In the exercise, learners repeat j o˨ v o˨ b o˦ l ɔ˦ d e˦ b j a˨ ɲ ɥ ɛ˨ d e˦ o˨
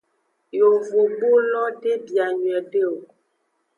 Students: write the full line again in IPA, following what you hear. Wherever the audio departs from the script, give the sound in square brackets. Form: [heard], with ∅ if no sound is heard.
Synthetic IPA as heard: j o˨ v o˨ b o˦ l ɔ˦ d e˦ b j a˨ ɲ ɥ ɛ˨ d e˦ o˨

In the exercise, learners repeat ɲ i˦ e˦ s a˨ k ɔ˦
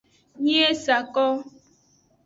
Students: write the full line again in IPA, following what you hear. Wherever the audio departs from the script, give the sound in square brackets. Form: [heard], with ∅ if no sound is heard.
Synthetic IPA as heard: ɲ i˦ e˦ s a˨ k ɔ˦

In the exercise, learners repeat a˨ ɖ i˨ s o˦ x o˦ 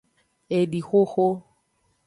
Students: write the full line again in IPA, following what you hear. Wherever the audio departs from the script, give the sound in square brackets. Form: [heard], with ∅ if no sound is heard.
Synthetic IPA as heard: [e˨] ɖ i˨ [x] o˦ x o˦

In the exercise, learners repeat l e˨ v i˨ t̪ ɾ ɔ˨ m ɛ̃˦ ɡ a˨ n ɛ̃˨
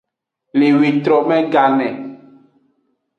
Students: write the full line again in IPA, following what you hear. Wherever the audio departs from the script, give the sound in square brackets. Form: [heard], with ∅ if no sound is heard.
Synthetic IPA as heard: l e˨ [w] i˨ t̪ ɾ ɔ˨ m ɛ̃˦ ɡ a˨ n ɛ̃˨

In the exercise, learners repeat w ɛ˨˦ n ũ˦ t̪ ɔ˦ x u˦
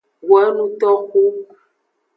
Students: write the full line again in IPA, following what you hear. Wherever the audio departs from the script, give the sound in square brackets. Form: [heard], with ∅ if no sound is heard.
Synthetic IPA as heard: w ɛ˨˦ n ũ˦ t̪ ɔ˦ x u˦

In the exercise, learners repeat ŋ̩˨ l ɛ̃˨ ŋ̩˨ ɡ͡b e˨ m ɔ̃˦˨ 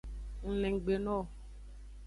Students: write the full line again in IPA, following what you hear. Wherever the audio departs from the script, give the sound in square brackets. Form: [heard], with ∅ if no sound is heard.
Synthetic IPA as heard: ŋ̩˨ l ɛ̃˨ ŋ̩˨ ɡ͡b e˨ [n] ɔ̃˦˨

